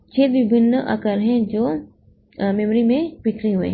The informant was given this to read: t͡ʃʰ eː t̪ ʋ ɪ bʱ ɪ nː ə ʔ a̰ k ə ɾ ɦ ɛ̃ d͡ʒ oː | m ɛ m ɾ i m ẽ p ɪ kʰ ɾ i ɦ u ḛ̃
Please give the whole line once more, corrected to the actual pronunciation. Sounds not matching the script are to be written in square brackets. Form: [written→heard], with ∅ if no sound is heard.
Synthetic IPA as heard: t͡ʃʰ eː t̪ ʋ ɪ bʱ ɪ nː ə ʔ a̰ k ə ɾ ɦ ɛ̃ d͡ʒ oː | m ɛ m ɾ i m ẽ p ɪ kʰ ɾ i ɦ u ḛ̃